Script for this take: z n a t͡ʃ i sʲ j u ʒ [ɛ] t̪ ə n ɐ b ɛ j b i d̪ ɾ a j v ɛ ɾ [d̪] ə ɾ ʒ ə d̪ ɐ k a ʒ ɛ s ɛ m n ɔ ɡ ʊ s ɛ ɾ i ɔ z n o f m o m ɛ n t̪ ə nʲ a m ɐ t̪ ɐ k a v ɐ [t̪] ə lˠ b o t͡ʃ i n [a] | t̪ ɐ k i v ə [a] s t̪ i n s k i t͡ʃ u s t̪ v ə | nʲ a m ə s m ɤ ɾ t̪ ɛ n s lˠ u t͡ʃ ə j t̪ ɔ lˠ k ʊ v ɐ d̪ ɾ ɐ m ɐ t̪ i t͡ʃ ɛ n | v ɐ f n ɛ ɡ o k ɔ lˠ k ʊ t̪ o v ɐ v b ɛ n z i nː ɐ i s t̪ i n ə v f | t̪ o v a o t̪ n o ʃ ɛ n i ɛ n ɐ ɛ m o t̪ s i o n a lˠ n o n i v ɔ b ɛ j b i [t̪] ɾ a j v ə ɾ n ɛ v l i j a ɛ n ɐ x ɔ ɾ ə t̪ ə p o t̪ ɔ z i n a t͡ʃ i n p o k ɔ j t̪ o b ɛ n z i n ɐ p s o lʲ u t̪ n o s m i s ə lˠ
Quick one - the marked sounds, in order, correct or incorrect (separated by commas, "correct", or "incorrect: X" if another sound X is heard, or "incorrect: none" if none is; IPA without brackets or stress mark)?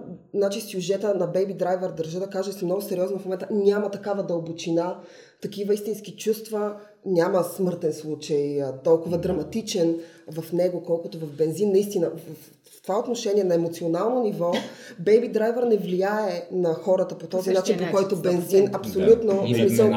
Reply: correct, correct, incorrect: d̪, correct, incorrect: i, incorrect: d̪